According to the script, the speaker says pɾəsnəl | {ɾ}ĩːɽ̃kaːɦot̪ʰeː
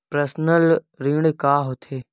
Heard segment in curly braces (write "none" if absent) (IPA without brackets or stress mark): ɾ